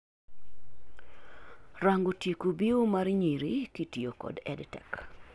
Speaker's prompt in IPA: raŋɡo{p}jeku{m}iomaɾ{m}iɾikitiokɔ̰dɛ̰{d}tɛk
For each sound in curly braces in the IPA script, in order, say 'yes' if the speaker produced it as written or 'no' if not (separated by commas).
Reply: no, no, no, yes